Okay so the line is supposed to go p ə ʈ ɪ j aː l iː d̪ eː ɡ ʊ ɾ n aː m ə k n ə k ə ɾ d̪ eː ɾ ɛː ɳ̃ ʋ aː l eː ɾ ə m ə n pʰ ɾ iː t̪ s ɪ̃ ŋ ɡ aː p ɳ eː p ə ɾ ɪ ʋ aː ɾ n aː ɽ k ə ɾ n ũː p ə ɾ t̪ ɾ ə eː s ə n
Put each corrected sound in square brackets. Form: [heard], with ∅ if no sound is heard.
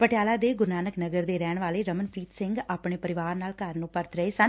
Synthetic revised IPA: p ə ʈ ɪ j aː l [aː] d̪ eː ɡ ʊ ɾ n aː [n] ə k n ə [ɡ] ə ɾ d̪ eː ɾ ɛː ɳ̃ ʋ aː l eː ɾ ə m ə n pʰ ɾ iː t̪ s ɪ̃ ŋ ɡ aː p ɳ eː p ə ɾ ɪ ʋ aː ɾ n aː [l] k ə ɾ n ũː p ə ɾ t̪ ɾ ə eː s ə n